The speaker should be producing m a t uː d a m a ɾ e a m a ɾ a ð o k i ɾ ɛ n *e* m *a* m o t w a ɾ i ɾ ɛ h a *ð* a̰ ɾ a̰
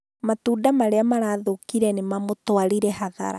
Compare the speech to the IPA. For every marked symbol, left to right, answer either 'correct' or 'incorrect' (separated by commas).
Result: correct, correct, correct